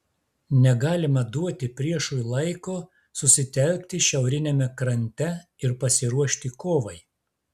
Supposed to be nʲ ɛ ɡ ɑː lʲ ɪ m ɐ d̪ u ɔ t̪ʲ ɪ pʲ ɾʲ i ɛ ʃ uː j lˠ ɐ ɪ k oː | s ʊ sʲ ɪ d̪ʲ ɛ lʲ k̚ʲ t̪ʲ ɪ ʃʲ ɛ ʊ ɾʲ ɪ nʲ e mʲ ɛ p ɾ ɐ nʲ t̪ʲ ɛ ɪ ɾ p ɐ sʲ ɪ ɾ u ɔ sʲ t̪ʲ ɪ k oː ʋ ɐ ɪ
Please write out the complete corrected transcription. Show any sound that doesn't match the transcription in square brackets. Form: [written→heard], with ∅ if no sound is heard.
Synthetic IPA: nʲ ɛ ɡ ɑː lʲ ɪ m ɐ d̪ u ɔ t̪ʲ ɪ pʲ ɾʲ i ɛ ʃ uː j lˠ ɐ ɪ k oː | s ʊ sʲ ɪ [d̪ʲ→t̪ʲ] ɛ lʲ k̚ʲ t̪ʲ ɪ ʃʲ ɛ ʊ ɾʲ ɪ nʲ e mʲ ɛ [p→k] ɾ ɐ nʲ t̪ʲ ɛ ɪ ɾ p ɐ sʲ ɪ ɾ u ɔ [sʲ→ʃʲ] t̪ʲ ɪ k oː ʋ ɐ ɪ

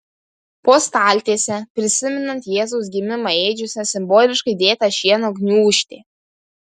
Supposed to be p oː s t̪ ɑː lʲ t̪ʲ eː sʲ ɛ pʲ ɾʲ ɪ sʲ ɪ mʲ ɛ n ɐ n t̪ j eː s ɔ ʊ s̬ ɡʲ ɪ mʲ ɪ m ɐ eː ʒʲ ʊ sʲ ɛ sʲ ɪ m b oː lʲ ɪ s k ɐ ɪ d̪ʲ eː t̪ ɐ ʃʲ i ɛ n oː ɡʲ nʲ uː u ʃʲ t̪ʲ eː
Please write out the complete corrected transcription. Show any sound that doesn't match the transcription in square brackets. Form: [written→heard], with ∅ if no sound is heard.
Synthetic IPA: p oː s t̪ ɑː lʲ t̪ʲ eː sʲ ɛ pʲ ɾʲ ɪ sʲ ɪ mʲ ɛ n ɐ n t̪ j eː [s→z] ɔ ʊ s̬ ɡʲ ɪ mʲ ɪ m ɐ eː [ʒʲ→d͡ʒʲ] ʊ sʲ ɛ sʲ ɪ m b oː lʲ ɪ [s→ʃ] k ɐ ɪ d̪ʲ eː t̪ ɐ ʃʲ i ɛ n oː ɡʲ nʲ uː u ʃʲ t̪ʲ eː

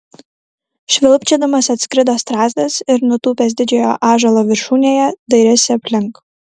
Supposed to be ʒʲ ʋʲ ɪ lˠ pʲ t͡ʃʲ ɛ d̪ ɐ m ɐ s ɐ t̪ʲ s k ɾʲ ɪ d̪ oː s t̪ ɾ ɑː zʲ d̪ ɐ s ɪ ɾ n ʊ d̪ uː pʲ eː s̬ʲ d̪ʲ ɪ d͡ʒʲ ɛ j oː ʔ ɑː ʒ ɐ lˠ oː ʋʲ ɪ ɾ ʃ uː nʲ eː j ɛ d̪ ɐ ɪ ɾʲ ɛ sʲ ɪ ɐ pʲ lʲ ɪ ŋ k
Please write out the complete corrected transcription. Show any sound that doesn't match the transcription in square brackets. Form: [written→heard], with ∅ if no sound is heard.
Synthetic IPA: [ʒʲ→ʃʲ] ʋʲ ɪ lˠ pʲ t͡ʃʲ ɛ d̪ ɐ m ɐ s ɐ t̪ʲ s k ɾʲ ɪ d̪ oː s t̪ ɾ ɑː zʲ d̪ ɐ s ɪ ɾ n ʊ [d̪→t̪] uː pʲ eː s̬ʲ d̪ʲ ɪ d͡ʒʲ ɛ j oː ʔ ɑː ʒ ɐ lˠ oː ʋʲ ɪ ɾ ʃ uː nʲ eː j ɛ d̪ ɐ ɪ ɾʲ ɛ sʲ ɪ ɐ pʲ lʲ ɪ ŋ k

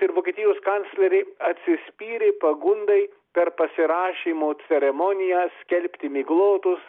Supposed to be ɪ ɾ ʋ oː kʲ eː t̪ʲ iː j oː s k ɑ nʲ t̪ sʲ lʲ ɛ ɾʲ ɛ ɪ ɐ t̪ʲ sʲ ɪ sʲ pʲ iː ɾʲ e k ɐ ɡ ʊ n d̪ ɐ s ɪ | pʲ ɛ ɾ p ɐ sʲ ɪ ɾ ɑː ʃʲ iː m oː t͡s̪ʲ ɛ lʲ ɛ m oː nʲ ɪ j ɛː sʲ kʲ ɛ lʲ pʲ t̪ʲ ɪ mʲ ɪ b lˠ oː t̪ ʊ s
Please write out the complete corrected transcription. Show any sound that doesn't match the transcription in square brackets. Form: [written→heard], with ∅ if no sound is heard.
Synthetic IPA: ɪ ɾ ʋ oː kʲ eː t̪ʲ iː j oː s k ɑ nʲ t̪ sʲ lʲ ɛ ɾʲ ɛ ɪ ɐ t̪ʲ sʲ ɪ sʲ pʲ iː ɾʲ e [k→p] ɐ ɡ ʊ n d̪ ɐ [s→∅] ɪ | pʲ ɛ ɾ p ɐ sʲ ɪ ɾ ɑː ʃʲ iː m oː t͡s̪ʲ ɛ [lʲ→ɾʲ] ɛ m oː nʲ ɪ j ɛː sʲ kʲ ɛ lʲ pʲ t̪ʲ ɪ mʲ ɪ [b→ɡ] lˠ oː t̪ ʊ s

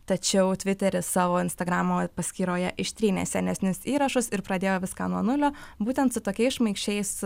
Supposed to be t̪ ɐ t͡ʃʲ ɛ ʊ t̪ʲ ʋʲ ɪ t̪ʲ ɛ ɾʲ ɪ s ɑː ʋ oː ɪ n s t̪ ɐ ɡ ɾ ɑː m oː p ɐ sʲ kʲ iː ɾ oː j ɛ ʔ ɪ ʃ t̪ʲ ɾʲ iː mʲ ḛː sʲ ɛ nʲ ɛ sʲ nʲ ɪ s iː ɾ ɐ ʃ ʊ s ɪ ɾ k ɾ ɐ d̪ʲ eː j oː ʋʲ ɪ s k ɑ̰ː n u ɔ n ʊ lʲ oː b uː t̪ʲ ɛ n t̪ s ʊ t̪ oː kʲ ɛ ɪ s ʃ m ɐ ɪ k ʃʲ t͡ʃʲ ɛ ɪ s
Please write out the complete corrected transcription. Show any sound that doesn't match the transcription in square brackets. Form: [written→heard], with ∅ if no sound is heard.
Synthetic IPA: t̪ ɐ t͡ʃʲ ɛ ʊ t̪ʲ ʋʲ ɪ t̪ʲ ɛ ɾʲ ɪ s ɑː ʋ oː ɪ n s t̪ ɐ ɡ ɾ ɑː m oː p ɐ sʲ kʲ iː ɾ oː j ɛ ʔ ɪ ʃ t̪ʲ ɾʲ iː [mʲ→nʲ] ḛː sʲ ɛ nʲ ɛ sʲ nʲ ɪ s iː ɾ ɐ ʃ ʊ s ɪ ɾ [k→p] ɾ ɐ d̪ʲ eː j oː ʋʲ ɪ s k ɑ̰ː n u ɔ n ʊ lʲ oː b uː t̪ʲ ɛ n t̪ s ʊ t̪ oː kʲ ɛ ɪ s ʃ m ɐ ɪ k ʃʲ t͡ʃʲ ɛ ɪ s

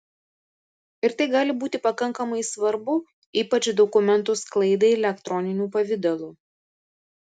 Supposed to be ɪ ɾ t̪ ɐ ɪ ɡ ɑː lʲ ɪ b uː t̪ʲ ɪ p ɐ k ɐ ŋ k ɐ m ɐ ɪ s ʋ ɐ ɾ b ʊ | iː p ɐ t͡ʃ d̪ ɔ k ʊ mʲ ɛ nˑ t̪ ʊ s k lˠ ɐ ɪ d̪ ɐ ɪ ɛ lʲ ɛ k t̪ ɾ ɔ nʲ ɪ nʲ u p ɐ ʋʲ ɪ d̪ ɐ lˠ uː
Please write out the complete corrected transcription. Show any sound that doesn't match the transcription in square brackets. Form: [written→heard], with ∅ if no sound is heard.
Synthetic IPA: ɪ ɾ t̪ ɐ ɪ ɡ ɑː lʲ ɪ b uː t̪ʲ ɪ p ɐ k ɐ ŋ k ɐ m ɐ ɪ s ʋ ɐ ɾ b ʊ | iː p ɐ t͡ʃ d̪ ɔ k ʊ mʲ ɛ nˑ t̪ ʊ s k lˠ ɐ ɪ d̪ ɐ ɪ ɛ lʲ ɛ k t̪ ɾ ɔ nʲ ɪ nʲ [u→uː] p ɐ ʋʲ ɪ d̪ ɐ lˠ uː

